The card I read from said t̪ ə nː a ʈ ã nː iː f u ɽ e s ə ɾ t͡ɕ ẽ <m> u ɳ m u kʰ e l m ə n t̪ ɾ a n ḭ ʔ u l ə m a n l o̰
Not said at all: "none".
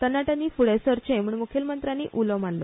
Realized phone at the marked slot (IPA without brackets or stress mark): m